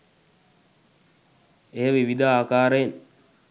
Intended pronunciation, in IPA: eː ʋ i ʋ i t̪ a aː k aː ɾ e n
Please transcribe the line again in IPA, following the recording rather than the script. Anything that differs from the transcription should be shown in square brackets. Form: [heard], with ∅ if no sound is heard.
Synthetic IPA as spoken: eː ʋ i ʋ i [d̪] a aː k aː ɾ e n